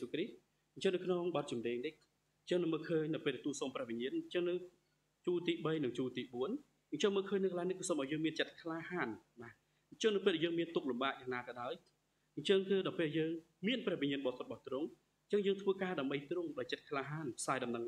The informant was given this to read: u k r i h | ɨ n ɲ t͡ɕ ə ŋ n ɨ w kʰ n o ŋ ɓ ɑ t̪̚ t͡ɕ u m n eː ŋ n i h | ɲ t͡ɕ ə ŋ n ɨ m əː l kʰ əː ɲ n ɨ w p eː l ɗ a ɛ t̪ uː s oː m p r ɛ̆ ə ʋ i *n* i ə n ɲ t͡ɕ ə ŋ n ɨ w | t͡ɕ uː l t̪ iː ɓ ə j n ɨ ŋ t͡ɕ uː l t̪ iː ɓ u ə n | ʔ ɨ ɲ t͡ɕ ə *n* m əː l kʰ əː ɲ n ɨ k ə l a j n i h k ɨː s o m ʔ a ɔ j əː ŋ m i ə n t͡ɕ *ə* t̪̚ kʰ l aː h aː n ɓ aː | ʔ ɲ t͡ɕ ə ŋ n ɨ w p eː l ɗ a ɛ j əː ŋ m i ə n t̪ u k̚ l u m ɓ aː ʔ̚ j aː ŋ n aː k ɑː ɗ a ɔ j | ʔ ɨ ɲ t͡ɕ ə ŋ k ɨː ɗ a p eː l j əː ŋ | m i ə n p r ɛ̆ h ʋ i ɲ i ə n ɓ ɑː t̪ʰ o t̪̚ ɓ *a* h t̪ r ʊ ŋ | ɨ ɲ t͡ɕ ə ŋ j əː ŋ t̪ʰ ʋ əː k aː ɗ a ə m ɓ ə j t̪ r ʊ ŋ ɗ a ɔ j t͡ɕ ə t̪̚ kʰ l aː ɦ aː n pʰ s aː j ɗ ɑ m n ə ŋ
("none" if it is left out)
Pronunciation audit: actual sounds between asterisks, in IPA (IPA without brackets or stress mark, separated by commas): ɲ, ŋ, ə, ɑ